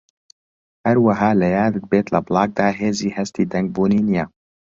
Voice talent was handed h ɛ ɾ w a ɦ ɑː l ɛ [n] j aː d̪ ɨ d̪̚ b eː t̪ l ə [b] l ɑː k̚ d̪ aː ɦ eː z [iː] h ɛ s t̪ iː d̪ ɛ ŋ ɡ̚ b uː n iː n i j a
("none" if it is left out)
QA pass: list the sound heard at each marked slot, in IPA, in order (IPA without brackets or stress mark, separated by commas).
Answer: none, b, iː